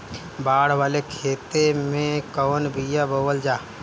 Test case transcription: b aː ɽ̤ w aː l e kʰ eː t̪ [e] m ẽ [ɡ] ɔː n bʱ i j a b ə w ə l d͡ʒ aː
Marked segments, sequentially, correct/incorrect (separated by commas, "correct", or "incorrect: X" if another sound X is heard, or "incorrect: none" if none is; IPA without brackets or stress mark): correct, incorrect: k